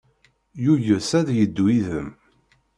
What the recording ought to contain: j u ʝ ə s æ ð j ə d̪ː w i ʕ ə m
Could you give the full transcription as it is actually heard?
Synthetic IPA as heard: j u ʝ ə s æ ð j ə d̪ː w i ð ə m